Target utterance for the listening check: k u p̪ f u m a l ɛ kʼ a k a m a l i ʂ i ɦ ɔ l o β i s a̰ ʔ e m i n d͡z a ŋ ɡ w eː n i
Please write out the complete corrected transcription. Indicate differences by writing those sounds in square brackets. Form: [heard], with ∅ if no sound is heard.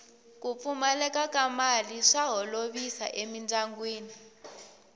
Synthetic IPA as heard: k u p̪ f u m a l ɛ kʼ a k a m a l i ʂ [a] ɦ ɔ l o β i s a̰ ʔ e m i n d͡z a ŋ ɡ w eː n i

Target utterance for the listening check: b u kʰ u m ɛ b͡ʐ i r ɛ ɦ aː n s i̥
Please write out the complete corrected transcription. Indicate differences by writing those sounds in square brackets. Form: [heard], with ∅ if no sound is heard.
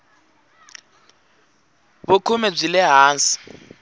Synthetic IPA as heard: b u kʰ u m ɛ b͡ʐ i [l] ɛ ɦ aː n s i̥

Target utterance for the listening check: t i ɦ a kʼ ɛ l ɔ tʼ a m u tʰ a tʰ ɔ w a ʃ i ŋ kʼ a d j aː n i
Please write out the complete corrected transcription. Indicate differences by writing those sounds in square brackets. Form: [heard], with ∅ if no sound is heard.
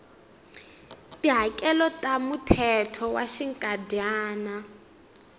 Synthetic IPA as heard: t i ɦ a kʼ ɛ l ɔ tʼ a m u tʰ [ɛ] tʰ ɔ w a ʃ i ŋ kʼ a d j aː n [a]

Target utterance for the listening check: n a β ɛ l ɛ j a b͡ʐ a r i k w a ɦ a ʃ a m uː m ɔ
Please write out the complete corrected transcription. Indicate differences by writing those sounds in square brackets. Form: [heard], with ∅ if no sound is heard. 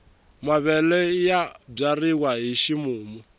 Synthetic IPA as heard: [m] a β ɛ l ɛ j a b͡ʐ a r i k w a ɦ [i] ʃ [i] m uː m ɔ

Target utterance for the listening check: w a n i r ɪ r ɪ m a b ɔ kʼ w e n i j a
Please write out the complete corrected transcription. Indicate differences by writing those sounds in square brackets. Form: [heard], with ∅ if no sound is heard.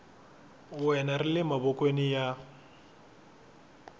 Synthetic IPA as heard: w [ɛ] n [a] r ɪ [l] ɪ m a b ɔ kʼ w e n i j a

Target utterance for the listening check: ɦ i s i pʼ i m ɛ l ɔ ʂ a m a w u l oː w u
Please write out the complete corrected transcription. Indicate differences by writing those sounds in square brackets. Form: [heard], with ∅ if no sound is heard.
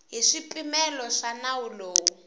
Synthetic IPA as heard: ɦ i [ʂ] i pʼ i m ɛ l ɔ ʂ a [n] a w u l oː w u

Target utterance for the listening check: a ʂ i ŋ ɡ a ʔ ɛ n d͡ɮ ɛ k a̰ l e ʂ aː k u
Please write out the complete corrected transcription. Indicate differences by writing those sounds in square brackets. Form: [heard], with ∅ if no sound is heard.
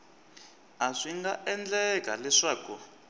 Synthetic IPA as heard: a ʂ i ŋ ɡ a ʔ ɛ n d͡ɮ ɛ k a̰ l [ɛ] ʂ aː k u

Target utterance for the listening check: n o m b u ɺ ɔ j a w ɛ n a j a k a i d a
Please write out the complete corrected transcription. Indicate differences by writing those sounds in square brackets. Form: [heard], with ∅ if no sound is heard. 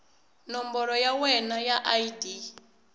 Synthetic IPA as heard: n [ɔ] m b [ɔ] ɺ ɔ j a w ɛ n a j a [ʔ] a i d [i]

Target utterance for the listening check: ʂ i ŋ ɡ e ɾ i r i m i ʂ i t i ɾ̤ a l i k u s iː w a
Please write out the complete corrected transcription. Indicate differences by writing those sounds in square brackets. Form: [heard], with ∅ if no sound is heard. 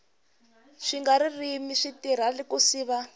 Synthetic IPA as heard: ʂ i ŋ ɡ [a] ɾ i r i m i ʂ i t i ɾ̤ a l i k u s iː [β] a

